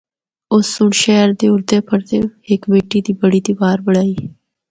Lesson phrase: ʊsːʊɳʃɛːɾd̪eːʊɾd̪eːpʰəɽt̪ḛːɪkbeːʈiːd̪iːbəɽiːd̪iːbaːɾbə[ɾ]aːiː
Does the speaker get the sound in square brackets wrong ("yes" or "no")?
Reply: yes